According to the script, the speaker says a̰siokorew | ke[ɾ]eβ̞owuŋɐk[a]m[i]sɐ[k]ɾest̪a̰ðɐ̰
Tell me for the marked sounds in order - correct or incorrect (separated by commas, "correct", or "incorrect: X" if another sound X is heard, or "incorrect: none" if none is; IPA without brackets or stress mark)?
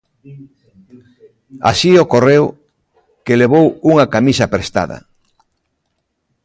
incorrect: l, correct, correct, incorrect: p